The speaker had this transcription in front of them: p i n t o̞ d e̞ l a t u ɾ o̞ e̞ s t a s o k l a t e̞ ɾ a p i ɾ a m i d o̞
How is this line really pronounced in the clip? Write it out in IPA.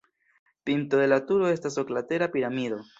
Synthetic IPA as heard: p i n t o̞ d e̞ l a t u ɾ o̞ e̞ s t a s o k l a t e̞ ɾ a p i ɾ a m i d o̞